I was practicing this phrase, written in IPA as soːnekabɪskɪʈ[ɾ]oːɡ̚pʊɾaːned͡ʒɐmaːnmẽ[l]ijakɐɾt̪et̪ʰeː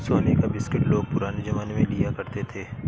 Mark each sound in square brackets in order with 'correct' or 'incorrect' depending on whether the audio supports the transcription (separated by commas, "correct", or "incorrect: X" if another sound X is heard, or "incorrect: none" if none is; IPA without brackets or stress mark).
incorrect: l, correct